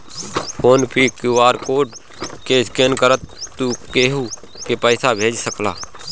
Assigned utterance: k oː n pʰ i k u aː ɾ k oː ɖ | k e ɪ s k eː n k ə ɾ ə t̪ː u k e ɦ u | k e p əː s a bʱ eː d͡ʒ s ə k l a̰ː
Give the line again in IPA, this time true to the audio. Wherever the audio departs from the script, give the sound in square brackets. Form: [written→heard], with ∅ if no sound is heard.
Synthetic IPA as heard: k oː n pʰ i k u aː ɾ k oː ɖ | k e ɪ s k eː n k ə ɾ ə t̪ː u k e ɦ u | k e p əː s a bʱ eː d͡ʒ s ə k l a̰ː